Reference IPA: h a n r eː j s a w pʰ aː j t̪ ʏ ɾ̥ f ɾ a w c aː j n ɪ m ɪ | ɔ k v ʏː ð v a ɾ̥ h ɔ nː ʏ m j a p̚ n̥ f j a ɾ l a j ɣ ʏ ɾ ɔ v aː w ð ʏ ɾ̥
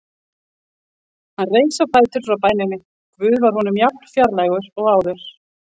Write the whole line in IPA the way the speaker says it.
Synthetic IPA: h a n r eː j s a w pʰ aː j t̪ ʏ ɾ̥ f ɾ a w p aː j n ɪ n ɪ | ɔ k v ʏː ð v a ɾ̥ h ɔ n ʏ m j a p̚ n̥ f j a ɾ l a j ɣ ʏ ɾ ɔ ɣ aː w ð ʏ ɾ̥